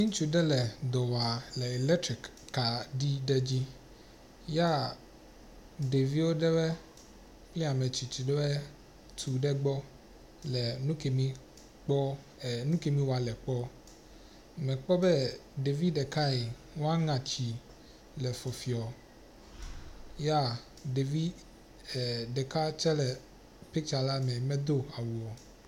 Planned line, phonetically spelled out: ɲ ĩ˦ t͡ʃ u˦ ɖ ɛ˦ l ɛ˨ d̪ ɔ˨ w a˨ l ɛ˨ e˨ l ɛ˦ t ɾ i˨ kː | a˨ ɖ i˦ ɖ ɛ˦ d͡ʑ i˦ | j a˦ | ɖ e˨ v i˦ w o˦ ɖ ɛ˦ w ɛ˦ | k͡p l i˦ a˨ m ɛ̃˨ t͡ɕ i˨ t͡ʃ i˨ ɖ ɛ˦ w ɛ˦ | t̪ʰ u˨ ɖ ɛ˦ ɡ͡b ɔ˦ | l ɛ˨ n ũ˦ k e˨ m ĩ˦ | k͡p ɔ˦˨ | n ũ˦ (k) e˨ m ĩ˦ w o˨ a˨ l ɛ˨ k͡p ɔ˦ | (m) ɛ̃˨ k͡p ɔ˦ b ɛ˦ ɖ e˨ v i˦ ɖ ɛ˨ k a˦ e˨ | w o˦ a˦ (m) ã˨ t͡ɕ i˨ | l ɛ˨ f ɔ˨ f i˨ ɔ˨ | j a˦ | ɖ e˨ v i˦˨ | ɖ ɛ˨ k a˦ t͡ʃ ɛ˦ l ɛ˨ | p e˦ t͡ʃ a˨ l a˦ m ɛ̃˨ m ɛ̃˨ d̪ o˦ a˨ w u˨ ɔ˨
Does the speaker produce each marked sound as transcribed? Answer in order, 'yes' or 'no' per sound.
yes, yes, no

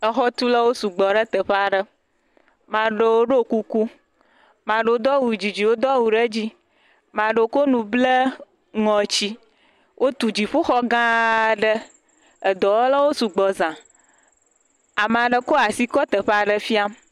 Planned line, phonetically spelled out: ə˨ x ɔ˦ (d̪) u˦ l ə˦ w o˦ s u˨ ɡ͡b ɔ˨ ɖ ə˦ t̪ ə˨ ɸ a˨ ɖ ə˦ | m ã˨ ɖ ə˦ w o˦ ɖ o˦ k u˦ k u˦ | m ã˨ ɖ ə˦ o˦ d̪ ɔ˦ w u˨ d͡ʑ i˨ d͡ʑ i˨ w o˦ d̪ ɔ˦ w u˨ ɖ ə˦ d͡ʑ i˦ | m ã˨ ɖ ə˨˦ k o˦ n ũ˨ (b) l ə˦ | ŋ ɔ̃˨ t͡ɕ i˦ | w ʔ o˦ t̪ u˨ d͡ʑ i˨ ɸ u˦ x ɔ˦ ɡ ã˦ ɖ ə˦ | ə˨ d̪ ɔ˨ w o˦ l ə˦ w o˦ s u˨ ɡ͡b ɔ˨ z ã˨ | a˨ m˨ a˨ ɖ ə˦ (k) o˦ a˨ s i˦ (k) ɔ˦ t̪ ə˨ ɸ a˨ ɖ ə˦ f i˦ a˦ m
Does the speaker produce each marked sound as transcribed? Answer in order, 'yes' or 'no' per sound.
no, yes, yes, yes

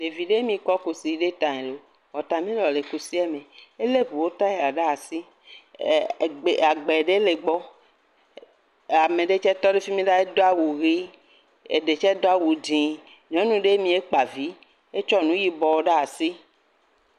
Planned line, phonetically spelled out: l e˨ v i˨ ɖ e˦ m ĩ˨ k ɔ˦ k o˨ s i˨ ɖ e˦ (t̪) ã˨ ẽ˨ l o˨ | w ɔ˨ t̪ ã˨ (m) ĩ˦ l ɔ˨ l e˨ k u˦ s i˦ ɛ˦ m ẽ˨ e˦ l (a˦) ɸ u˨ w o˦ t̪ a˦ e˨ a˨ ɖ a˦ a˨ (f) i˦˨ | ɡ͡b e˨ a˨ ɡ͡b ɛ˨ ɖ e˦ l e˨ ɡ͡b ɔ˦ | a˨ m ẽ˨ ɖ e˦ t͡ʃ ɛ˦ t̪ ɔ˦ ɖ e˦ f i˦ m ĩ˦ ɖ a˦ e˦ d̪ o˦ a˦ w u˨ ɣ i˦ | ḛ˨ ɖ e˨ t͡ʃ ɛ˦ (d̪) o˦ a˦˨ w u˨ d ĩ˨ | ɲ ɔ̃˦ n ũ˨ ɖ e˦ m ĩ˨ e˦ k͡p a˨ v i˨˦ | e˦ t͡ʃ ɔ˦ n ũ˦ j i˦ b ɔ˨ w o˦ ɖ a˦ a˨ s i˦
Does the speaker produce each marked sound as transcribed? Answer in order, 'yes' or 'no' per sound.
yes, yes, no, no, yes

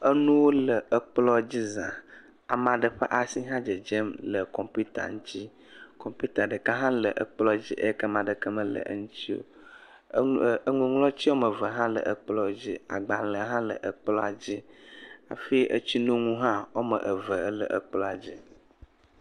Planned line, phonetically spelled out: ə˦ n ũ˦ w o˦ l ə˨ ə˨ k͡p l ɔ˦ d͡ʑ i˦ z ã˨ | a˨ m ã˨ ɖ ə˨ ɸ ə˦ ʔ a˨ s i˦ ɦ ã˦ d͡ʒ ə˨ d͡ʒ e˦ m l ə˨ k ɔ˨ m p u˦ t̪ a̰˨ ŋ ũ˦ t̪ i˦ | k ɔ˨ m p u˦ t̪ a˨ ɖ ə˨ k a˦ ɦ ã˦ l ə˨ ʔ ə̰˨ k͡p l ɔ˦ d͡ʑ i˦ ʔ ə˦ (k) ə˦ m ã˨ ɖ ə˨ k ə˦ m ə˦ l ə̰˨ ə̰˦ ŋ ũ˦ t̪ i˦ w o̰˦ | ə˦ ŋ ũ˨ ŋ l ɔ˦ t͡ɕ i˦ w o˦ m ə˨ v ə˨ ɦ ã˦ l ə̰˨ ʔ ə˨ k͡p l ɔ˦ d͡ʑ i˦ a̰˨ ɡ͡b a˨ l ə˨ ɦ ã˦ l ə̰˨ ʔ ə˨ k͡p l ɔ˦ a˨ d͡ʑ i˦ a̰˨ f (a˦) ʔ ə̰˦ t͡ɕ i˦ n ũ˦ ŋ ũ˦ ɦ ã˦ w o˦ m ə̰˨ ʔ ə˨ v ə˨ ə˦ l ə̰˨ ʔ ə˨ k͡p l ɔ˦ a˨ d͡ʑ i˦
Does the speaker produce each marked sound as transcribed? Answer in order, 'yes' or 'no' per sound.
yes, no

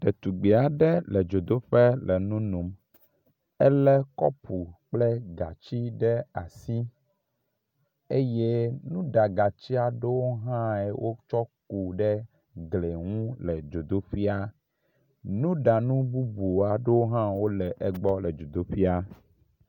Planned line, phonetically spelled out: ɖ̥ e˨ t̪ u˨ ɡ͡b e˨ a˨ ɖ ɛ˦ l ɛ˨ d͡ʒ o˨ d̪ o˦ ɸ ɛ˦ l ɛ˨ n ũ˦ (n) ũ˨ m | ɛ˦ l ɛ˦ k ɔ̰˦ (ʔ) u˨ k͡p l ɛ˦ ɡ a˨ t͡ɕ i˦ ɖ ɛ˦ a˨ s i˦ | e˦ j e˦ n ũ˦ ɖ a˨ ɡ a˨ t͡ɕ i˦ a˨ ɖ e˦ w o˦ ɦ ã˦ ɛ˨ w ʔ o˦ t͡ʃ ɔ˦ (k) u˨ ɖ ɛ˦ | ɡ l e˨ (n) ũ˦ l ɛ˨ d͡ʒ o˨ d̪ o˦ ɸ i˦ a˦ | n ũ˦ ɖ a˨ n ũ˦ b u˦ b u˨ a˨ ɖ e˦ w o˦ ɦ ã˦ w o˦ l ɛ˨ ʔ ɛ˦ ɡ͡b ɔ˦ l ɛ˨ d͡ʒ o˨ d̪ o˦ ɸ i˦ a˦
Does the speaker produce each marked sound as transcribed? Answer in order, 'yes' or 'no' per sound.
yes, no, yes, no

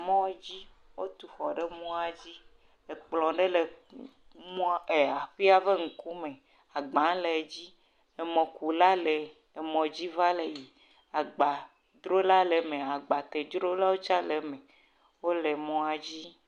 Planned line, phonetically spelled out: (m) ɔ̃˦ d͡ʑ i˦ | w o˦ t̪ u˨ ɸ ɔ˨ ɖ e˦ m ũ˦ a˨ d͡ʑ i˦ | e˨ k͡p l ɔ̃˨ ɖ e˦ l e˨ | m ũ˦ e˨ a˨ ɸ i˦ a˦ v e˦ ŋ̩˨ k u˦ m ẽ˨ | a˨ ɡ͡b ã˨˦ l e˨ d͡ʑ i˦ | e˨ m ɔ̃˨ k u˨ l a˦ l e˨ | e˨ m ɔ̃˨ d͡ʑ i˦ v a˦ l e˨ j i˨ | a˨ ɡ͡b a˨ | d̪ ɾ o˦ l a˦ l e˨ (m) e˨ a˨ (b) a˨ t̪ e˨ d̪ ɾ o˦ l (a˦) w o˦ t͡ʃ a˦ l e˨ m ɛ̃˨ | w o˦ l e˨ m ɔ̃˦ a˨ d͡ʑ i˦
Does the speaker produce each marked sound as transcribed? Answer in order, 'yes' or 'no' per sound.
yes, yes, no, yes

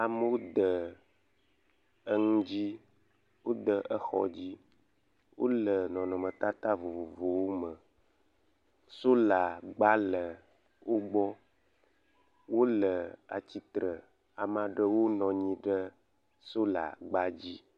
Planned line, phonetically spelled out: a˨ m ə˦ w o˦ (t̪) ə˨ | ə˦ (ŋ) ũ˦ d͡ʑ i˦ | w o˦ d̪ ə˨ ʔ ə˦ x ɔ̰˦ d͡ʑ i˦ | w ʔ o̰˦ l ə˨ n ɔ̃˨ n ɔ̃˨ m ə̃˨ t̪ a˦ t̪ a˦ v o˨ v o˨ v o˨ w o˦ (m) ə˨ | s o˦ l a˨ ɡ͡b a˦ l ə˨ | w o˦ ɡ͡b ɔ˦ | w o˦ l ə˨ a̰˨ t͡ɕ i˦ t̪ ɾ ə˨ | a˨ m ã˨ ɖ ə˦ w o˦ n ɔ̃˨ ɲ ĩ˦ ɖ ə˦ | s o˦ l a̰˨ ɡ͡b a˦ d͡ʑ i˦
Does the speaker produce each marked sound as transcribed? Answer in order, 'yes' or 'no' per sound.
no, yes, yes

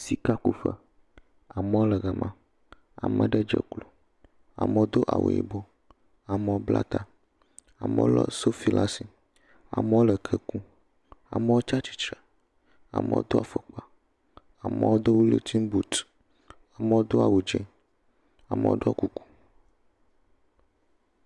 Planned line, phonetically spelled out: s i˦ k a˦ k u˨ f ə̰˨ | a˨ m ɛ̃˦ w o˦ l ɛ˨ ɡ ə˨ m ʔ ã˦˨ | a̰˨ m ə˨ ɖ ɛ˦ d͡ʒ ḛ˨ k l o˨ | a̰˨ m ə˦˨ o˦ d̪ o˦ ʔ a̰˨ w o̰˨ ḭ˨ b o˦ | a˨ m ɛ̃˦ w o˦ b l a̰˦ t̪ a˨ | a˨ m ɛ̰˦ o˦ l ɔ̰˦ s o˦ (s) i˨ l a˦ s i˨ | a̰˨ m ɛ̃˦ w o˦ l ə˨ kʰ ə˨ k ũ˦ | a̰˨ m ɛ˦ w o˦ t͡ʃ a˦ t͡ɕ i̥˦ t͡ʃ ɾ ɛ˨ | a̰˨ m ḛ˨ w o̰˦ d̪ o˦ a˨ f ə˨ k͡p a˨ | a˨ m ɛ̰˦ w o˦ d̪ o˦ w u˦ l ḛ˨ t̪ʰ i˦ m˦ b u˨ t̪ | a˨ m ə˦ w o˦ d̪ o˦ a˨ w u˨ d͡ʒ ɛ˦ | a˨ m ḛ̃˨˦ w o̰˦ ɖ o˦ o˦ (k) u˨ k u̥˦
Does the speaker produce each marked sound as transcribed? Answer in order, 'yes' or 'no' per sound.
no, yes

